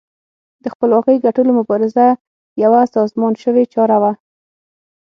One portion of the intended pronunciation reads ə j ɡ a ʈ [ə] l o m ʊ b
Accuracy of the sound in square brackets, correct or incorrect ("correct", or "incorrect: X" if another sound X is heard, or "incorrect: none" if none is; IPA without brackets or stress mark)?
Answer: correct